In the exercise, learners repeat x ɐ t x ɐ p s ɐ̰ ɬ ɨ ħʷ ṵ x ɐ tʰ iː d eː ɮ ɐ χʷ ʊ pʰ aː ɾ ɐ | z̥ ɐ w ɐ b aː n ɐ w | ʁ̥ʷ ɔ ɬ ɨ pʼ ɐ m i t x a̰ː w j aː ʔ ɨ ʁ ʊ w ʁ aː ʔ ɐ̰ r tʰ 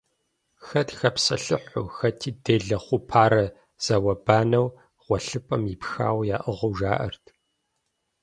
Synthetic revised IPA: x ɐ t x ɐ p s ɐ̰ ɬ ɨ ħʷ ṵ x ɐ tʰ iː d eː ɮ ɐ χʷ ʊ pʰ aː ɾ ɐ | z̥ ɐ w ɐ b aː n ɐ w | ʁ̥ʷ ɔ ɬ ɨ pʼ ɐ m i p x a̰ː w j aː ʔ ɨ ʁ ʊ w ʒ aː ʔ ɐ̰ r tʰ